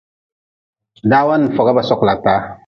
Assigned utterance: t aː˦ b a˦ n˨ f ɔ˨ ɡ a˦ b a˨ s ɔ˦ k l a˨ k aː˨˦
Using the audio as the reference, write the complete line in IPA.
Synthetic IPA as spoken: d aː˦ w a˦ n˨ f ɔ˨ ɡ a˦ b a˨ s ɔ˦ k l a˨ t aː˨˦